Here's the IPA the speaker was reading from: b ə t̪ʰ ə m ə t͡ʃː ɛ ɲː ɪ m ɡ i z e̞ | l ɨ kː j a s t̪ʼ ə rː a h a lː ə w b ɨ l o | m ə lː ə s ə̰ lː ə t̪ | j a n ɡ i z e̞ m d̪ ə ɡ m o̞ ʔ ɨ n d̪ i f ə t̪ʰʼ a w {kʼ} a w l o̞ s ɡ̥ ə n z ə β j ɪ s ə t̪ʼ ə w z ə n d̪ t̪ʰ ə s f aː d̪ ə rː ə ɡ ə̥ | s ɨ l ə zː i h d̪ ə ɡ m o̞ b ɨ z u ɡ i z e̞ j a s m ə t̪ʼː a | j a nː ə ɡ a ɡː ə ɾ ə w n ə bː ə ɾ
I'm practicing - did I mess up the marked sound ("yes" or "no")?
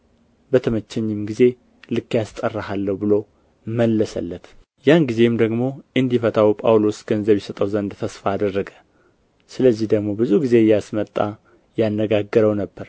yes